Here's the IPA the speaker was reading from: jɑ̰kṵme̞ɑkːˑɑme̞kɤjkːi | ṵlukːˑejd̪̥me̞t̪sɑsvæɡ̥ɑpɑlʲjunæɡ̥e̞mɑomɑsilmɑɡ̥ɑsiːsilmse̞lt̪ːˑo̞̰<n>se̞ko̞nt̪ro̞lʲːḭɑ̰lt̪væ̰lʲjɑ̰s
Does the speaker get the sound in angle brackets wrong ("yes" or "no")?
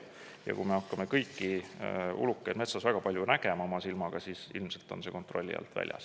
no